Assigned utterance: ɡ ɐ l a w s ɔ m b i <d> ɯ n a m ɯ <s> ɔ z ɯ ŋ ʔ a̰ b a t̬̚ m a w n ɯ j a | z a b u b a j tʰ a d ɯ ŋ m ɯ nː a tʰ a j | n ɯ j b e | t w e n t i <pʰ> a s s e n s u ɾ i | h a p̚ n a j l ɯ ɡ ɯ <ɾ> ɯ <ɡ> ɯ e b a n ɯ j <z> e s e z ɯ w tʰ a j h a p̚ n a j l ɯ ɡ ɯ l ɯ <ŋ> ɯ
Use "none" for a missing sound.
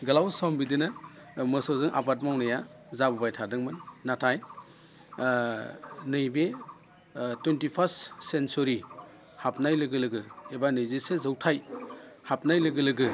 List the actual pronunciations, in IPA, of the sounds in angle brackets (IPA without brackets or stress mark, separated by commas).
d, s, pʰ, l, ɡ, z, ɡ